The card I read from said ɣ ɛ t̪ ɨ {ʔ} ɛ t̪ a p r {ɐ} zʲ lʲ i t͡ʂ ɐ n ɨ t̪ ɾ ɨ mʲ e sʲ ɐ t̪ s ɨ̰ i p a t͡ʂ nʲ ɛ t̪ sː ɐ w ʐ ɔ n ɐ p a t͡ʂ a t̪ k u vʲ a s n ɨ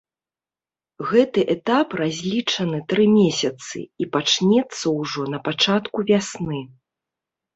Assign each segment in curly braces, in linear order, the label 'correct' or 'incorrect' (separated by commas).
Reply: correct, incorrect